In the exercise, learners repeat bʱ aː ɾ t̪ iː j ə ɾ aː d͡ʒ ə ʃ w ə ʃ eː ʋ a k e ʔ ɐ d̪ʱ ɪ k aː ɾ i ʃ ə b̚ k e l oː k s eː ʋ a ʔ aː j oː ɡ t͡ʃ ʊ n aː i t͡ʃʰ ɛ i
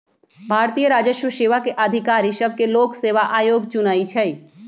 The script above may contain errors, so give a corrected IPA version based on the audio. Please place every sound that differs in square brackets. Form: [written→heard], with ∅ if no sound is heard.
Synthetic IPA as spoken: bʱ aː ɾ t̪ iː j ə ɾ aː d͡ʒ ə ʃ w ə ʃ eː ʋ a k e ʔ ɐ d̪ʱ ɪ k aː ɾ i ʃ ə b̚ k e l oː k s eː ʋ a ʔ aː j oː ɡ t͡ʃ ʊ n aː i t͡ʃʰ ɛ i